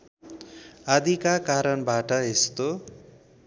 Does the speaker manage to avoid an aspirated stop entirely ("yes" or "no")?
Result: yes